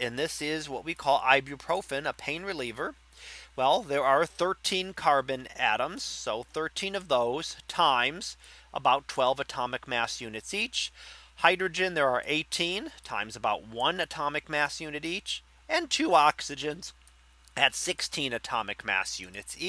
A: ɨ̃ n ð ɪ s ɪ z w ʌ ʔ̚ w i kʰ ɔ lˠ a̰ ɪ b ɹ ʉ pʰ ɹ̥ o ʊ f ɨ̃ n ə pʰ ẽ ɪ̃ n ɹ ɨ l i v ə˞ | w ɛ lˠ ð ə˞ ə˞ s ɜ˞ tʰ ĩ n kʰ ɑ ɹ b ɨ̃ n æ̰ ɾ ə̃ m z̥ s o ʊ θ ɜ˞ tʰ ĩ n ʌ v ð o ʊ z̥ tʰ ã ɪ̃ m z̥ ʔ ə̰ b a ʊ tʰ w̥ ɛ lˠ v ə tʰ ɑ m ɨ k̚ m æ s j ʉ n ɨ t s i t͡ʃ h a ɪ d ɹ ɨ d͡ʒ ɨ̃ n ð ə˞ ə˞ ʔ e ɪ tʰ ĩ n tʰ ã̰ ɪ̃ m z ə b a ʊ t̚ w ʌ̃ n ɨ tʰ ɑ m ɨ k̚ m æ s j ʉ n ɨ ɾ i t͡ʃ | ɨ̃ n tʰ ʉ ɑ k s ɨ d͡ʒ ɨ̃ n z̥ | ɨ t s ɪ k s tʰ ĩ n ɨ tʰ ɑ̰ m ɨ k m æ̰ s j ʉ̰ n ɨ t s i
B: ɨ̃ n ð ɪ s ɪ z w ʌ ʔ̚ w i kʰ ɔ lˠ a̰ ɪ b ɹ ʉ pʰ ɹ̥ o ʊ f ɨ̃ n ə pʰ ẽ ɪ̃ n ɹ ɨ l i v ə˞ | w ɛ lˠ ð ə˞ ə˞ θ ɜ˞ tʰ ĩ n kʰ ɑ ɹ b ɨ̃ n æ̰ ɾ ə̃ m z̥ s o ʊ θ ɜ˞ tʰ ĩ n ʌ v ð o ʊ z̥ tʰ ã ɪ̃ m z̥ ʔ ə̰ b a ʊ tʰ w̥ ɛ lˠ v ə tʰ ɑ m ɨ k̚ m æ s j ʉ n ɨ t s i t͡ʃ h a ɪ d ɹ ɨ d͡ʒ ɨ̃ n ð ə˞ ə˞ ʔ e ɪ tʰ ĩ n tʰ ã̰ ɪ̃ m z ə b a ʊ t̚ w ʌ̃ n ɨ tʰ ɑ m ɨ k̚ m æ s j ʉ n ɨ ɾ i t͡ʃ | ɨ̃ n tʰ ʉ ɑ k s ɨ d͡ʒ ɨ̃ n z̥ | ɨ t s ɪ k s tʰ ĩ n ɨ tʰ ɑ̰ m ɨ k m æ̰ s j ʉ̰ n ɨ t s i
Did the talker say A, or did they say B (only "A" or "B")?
B